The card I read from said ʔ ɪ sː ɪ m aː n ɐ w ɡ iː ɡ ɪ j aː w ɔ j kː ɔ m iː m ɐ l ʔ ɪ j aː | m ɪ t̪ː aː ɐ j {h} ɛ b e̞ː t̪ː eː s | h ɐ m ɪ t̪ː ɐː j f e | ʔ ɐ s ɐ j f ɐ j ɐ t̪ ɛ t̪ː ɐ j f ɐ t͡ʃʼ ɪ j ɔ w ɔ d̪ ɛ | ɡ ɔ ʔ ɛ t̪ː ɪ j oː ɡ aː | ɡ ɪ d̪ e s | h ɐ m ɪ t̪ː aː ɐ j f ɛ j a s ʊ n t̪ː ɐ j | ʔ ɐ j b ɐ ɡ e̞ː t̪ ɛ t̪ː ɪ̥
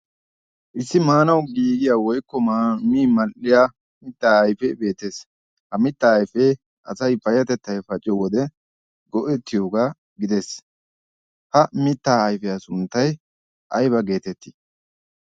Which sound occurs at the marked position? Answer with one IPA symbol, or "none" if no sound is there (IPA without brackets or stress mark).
f